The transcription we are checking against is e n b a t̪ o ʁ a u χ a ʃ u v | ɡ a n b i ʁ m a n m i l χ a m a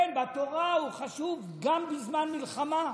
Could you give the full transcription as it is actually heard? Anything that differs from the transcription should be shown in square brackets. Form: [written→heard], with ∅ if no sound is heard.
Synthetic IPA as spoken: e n b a t̪ o ʁ a u χ a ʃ u v | ɡ a [n→m] b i [ʁ→z] m a n m i l χ a m a